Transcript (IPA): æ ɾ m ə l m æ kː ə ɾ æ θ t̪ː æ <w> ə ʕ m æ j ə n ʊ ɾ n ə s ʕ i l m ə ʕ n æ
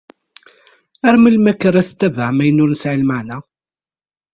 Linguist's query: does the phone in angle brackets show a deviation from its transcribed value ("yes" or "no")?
yes